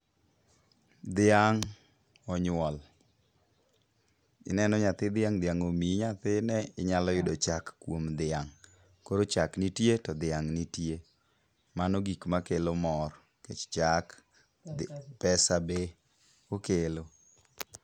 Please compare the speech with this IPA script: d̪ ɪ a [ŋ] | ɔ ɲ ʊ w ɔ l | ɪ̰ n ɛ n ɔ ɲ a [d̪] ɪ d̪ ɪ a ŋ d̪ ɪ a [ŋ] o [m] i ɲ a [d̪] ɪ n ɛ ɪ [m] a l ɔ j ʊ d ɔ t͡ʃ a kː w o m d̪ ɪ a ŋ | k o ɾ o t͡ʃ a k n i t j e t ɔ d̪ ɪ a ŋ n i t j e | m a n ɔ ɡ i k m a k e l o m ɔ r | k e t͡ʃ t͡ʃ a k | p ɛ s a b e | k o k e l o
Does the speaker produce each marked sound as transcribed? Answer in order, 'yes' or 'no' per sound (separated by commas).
yes, no, yes, yes, no, no